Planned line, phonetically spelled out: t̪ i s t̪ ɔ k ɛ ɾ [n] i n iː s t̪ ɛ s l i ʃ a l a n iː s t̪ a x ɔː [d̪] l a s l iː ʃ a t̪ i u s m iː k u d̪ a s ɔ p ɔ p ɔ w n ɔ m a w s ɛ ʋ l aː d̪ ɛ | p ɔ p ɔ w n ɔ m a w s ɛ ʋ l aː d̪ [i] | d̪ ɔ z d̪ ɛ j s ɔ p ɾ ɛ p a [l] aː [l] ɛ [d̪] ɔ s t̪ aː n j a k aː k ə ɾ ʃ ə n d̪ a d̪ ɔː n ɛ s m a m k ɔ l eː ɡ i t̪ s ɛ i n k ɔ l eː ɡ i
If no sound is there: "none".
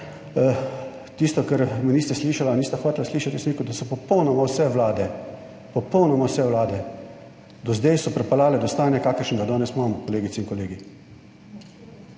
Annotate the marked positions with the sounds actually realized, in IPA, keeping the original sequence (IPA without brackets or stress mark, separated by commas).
m, t̪, ɛ, l, l, d̪